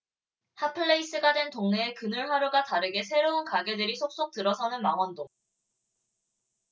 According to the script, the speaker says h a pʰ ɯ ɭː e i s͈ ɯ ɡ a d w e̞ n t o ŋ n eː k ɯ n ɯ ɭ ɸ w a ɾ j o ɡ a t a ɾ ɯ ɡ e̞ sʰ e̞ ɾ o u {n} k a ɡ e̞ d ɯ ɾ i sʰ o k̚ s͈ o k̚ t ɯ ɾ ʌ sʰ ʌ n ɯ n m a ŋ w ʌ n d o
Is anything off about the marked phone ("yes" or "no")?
no